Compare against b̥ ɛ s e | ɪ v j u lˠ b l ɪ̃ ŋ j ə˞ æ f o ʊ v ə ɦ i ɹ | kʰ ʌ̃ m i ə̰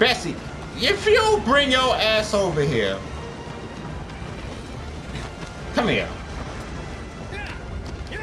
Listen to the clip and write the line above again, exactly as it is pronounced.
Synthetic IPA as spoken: b̥ ɛ s i | ɪ f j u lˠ b ɹ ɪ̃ ŋ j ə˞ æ s o ʊ v ə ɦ i ɹ | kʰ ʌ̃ m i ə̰

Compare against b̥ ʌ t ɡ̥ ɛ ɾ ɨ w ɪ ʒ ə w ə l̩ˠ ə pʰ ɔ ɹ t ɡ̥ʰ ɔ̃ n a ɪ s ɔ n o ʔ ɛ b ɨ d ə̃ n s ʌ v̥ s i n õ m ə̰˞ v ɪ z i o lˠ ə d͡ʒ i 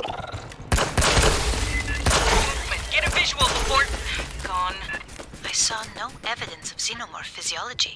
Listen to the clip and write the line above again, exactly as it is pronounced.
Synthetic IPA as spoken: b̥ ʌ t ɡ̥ ɛ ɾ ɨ v ɪ ʒ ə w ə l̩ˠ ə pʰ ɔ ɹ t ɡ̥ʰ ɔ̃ n a ɪ s ɔ n o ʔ ɛ v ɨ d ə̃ n s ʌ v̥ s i n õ m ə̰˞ f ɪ z i ɔ lˠ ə d͡ʒ i

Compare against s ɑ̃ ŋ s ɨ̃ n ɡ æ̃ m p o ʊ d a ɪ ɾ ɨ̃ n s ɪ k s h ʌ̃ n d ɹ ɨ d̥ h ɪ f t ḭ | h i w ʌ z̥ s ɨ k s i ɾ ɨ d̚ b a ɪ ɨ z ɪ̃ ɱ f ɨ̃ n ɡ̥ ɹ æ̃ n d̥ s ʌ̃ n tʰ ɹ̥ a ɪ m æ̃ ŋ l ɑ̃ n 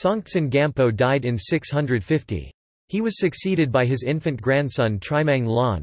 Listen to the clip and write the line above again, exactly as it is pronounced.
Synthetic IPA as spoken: s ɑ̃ ŋ s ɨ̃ n ɡ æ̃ m p o ʊ d a ɪ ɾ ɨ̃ n s ɪ k s h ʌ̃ n d ɹ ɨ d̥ f ɪ f t ḭ | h i w ʌ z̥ s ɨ k s i ɾ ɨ d̚ b a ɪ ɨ z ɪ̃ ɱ f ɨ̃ n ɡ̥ ɹ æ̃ n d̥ s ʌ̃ n tʰ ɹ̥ a ɪ m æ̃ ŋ l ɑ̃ n

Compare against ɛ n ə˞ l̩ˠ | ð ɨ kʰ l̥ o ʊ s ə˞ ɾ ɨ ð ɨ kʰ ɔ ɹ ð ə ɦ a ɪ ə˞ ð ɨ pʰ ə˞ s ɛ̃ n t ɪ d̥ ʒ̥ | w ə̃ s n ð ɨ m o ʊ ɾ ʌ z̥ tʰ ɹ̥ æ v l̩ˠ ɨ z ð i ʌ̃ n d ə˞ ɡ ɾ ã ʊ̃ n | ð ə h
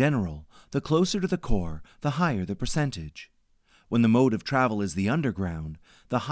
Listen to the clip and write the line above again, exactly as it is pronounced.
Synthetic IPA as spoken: ɛ n ə˞ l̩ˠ | ð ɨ kʰ l̥ o ʊ s ə˞ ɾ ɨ ð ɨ kʰ ɔ ɹ ð ə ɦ a ɪ ə˞ ð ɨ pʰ ə˞ s ɛ̃ n t ɪ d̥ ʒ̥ | w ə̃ n ð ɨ m o ʊ ɾ ʌ v̥ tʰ ɹ̥ æ v l̩ˠ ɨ z ð i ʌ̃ n d ə˞ ɡ ɹ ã ʊ̃ n | ð ə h

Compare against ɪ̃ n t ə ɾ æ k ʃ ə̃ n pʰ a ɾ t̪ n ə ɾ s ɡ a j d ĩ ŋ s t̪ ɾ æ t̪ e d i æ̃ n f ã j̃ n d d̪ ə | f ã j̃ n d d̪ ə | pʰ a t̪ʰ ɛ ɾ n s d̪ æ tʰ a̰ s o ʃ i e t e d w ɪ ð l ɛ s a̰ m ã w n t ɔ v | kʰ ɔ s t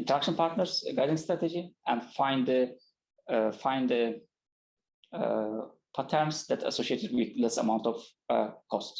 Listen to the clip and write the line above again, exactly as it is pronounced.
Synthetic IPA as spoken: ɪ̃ n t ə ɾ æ k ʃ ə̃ n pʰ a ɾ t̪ n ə ɾ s ɡ a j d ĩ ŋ s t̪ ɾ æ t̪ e d͡ʒ i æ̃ n f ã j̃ n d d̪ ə | f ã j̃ n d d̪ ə | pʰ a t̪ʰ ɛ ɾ n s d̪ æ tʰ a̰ s o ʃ i e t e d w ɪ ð l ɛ s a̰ m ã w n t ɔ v | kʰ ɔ s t

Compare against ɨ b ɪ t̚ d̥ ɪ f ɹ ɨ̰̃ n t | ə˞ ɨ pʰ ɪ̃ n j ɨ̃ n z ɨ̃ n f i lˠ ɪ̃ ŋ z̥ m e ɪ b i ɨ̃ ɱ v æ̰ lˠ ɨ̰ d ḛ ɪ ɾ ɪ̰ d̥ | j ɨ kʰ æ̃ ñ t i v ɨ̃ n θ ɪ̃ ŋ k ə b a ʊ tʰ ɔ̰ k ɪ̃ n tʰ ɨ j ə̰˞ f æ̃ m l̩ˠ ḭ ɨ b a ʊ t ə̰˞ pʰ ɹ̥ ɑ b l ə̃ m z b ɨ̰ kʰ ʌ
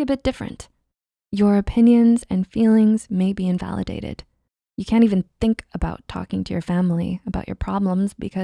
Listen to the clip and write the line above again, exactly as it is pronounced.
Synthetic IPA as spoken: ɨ b ɪ t̚ d̥ ɪ f ɹ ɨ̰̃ n t | ə˞ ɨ pʰ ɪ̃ n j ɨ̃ n z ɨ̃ n f i lˠ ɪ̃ ŋ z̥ m e ɪ b i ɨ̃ ɱ v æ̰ lˠ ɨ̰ d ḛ ɪ ɾ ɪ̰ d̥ | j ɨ kʰ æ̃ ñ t i v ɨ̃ n θ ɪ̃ ŋ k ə b a ʊ tʰ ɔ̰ k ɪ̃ ŋ tʰ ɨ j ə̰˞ f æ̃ m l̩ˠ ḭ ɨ b a ʊ t͡ʃ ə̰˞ pʰ ɹ̥ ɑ b l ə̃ m z b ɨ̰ kʰ ʌ

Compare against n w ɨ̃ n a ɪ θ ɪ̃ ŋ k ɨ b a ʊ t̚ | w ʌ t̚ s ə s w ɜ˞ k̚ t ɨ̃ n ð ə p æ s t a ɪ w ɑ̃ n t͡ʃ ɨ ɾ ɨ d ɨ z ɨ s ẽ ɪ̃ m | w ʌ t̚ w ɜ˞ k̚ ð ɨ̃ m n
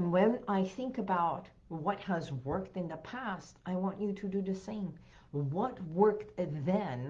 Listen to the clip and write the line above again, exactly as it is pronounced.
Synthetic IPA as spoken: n w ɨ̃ n a ɪ θ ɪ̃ ŋ k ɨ b a ʊ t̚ | w ʌ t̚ h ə z w ɜ˞ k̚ t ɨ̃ n ð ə pʰ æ s t a ɪ w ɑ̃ n t͡ʃ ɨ ɾ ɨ d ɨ ð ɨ s ẽ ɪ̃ m | w ʌ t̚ w ɜ˞ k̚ ð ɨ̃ n

